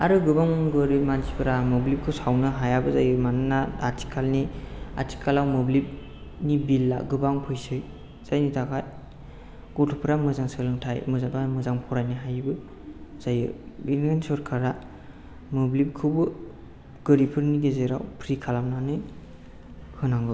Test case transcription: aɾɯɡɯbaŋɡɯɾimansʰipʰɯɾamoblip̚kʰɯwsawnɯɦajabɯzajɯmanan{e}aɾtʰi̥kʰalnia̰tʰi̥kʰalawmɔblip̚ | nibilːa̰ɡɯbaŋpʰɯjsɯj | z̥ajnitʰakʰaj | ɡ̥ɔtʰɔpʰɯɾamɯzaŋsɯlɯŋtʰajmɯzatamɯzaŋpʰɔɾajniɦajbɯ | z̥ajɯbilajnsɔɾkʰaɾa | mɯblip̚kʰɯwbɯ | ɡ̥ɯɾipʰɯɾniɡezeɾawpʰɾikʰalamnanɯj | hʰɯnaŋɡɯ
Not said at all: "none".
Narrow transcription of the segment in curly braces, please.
a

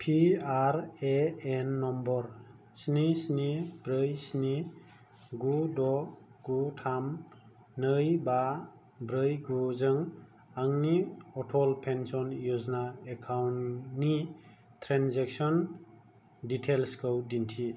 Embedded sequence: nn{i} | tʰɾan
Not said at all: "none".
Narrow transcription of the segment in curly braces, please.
i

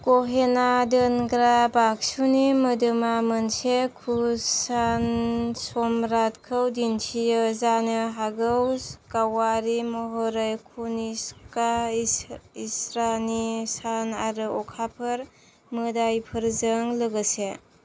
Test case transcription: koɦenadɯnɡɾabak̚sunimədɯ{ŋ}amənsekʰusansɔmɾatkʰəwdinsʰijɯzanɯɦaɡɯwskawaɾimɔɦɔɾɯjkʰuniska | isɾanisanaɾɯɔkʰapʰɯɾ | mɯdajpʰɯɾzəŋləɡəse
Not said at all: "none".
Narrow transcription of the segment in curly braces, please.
m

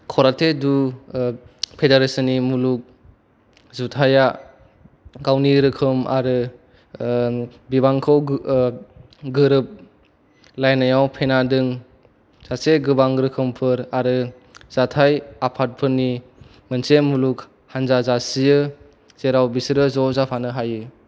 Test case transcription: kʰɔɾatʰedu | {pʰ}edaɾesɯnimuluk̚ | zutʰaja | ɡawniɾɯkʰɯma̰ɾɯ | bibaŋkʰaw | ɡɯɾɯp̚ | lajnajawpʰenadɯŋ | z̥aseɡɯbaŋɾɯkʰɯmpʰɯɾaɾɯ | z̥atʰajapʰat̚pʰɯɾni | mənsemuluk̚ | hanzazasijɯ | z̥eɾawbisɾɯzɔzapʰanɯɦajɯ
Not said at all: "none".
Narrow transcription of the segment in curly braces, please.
pʰ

